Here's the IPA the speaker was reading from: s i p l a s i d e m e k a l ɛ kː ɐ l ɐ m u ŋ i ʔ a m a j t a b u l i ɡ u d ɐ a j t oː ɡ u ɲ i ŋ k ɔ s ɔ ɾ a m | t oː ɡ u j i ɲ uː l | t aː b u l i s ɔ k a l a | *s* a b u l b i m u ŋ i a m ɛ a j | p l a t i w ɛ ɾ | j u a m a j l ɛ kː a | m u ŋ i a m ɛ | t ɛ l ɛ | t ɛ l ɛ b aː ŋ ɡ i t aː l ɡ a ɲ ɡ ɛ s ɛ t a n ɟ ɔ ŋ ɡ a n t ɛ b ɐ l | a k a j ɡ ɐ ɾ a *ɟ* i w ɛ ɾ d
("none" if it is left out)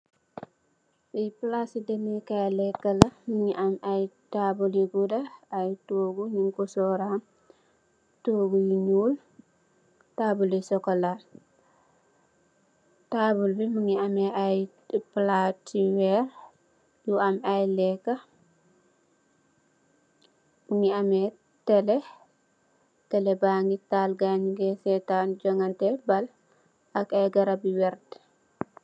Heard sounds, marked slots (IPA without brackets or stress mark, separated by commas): t, b